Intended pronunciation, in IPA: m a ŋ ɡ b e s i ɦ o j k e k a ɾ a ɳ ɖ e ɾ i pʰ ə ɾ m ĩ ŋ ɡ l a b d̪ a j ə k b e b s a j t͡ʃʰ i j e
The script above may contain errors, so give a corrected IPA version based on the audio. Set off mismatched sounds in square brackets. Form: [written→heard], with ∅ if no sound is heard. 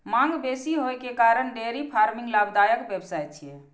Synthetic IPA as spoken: m a ŋ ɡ b e s i ɦ o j k e k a ɾ [a→ə] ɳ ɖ e ɾ i pʰ [ə→a] ɾ m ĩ ŋ ɡ l a b d̪ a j ə k b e b s a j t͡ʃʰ i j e